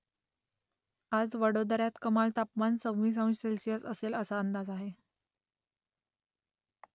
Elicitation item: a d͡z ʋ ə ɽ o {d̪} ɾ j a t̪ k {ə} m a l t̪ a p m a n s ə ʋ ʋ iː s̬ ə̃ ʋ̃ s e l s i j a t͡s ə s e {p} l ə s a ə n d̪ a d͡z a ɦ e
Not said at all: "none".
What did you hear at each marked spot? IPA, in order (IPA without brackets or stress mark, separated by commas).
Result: d̪, ə, none